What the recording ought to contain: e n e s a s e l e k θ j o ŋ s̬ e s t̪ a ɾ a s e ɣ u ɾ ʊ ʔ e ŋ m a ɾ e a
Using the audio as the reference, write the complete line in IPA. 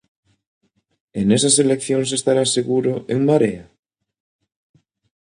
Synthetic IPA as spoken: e n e s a s e l e k θ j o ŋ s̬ e s t̪ a ɾ a s e ɣ u ɾ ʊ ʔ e ŋ m a ɾ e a